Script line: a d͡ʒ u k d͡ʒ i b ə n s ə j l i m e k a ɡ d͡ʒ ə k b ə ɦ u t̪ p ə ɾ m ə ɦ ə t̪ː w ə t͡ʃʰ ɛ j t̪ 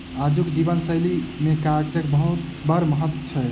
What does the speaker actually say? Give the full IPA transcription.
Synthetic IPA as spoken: a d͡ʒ u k d͡ʒ i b ə n s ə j l i m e k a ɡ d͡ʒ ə k b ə ɦ u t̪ b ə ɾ m ə ɦ ə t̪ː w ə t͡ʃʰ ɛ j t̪

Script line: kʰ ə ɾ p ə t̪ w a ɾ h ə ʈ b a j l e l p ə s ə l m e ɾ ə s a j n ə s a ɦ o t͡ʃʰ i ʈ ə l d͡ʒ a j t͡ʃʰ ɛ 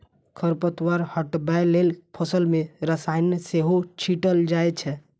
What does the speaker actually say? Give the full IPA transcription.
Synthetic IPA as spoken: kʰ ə ɾ p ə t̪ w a ɾ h ə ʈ b a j l e l pʰ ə s ə l m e ɾ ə s a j n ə s e ɦ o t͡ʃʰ i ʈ ə l d͡ʒ a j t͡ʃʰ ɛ

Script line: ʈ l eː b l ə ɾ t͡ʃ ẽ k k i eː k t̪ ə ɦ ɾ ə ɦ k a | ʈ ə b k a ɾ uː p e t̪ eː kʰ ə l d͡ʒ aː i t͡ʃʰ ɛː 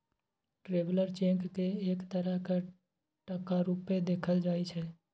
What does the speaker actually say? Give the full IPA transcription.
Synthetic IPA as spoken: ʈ ɾ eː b l ə ɾ t͡ʃ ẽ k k e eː k t̪ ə ɾ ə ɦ k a | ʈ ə k a ɾ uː p e d̪ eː kʰ ə l d͡ʒ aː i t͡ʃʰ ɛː

